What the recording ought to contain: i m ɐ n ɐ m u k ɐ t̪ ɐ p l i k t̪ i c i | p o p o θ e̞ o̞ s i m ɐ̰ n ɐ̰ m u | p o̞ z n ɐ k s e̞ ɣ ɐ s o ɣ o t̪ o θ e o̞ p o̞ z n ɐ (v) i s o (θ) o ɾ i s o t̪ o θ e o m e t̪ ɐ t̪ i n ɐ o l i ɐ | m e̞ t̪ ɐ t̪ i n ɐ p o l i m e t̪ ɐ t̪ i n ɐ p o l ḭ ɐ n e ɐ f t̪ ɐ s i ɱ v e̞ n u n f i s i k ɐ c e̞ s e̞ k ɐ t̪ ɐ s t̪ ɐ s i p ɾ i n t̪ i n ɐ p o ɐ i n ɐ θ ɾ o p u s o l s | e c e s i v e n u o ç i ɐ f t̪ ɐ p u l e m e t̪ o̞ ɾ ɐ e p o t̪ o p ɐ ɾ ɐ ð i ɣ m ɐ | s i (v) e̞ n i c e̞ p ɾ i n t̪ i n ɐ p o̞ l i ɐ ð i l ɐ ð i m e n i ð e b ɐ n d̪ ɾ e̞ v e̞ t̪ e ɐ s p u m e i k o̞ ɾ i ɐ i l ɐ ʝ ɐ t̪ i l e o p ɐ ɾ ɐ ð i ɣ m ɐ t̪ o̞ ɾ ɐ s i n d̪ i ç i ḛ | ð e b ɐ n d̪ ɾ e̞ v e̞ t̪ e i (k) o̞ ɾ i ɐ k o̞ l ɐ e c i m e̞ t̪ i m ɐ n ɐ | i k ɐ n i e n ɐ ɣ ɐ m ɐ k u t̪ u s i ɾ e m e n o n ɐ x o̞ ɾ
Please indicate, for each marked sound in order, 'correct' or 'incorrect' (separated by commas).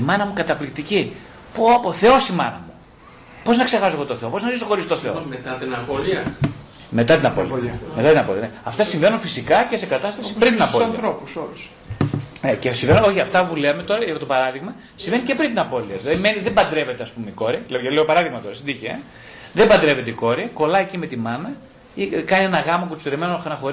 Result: incorrect, incorrect, correct, correct